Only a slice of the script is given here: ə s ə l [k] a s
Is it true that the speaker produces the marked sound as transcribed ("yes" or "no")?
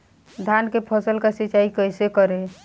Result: yes